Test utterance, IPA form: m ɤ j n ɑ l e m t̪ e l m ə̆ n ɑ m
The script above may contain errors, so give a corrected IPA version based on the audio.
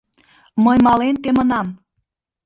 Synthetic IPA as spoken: m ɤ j m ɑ l e n t̪ e m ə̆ n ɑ m

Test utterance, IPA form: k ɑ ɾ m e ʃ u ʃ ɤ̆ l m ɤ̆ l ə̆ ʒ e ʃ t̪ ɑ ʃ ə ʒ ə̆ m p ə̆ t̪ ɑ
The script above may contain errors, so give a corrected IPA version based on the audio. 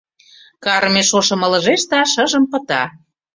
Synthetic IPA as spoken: k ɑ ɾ m e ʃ o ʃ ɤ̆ m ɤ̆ l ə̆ ʒ e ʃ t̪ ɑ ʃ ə ʒ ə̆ m p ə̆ t̪ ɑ

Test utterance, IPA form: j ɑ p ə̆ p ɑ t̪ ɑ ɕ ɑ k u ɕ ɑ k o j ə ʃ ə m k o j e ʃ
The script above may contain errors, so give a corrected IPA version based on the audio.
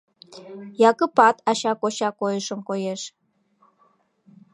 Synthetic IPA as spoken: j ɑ k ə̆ p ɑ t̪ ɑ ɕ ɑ k o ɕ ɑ k o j ə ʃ ə m k o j e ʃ

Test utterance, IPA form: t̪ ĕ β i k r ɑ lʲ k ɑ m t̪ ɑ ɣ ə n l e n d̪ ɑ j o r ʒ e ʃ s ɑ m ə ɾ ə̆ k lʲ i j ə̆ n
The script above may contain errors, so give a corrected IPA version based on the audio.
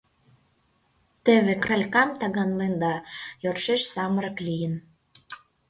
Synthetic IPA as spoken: t̪ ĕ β e k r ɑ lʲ k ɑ m t̪ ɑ ɣ ɑ n l e n d̪ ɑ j o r ʃ e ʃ s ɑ m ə ɾ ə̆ k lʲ i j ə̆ n

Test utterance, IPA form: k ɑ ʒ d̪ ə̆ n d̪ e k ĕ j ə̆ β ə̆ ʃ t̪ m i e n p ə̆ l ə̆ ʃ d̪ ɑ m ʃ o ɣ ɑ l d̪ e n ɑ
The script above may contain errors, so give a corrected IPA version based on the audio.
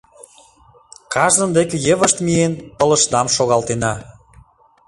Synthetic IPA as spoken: k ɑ ʒ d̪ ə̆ n d̪ e k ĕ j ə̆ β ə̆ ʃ t̪ m i e n p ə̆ l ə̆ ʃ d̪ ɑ m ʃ o ɣ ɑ l t̪ e n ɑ

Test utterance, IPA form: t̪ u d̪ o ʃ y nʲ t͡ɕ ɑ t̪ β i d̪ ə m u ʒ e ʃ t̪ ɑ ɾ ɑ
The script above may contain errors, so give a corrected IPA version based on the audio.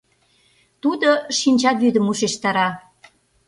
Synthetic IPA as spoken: t̪ u d̪ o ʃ i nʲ t͡ɕ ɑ t̪ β y d̪ ə m u ʃ e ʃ t̪ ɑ ɾ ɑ

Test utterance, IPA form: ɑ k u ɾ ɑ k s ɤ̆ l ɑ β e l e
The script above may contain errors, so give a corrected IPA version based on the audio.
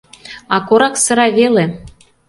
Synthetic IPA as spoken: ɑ k o ɾ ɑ k s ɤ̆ ɾ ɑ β e l e

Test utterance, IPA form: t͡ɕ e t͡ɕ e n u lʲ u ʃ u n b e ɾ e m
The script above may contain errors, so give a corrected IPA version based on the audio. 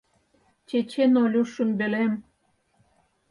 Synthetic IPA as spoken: t͡ɕ e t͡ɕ e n o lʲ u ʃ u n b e l e m

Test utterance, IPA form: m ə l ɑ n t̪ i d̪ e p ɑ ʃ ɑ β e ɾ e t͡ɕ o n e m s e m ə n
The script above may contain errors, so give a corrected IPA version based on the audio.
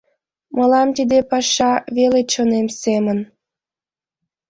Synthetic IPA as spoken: m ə l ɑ m t̪ i d̪ e p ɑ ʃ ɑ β e l e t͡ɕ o n e m s e m ə n

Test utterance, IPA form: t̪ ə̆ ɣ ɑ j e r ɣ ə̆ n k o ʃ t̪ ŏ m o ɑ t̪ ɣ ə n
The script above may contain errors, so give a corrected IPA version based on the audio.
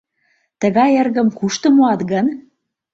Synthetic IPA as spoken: t̪ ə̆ ɣ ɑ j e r ɣ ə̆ m k u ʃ t̪ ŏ m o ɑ t̪ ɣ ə n

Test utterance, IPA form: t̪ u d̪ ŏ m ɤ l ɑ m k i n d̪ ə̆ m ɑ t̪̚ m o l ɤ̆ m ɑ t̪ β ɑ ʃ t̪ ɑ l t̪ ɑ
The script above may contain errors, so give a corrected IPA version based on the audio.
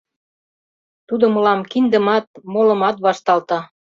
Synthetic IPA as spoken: t̪ u d̪ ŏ m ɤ l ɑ m k i n d̪ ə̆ m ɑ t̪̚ m o l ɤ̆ m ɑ t̪ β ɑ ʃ t̪ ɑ l t̪ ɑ

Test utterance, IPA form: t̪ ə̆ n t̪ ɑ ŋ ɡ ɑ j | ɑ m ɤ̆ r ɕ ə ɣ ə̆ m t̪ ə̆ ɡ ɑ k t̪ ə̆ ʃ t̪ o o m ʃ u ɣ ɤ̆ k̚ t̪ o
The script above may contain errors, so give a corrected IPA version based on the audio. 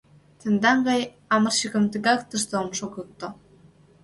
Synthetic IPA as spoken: t̪ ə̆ n d̪ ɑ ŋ ɡ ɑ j | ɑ m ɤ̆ r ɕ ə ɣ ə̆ m t̪ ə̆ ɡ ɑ k t̪ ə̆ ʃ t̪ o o m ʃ o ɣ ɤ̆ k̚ t̪ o

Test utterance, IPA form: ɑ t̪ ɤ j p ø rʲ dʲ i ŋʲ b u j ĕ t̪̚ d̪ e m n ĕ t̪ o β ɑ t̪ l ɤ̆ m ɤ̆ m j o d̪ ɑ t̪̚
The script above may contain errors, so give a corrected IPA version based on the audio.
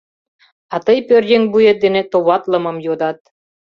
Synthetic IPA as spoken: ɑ t̪ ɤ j p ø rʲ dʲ e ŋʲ b u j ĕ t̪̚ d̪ e n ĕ t̪ o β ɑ t̪ l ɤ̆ m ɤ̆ m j o d̪ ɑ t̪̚

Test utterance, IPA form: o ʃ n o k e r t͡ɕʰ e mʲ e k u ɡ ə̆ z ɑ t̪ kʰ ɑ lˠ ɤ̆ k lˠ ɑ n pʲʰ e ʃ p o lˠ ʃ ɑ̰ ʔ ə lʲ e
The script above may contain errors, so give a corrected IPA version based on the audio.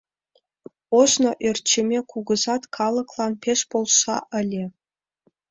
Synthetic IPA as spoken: o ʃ n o ʔ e r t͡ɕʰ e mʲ e k u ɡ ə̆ z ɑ t̪ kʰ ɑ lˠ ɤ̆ k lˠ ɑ n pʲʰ e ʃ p o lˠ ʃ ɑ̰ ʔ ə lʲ e

